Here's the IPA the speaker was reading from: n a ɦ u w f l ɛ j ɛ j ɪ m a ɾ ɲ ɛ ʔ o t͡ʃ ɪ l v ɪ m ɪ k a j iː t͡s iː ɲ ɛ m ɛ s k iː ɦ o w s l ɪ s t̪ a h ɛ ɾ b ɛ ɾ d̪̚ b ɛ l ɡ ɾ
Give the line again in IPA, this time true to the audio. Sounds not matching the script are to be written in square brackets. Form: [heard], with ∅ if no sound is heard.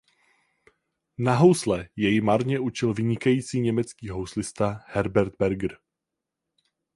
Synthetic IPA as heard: n a ɦ [o] w [s] l ɛ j ɛ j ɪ m a ɾ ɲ ɛ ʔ [u] t͡ʃ ɪ l v ɪ [ɲ] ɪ k a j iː t͡s iː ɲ ɛ m ɛ [t͡s] k iː ɦ o w s l ɪ s t̪ a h ɛ ɾ b ɛ ɾ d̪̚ b ɛ [ɾ] ɡ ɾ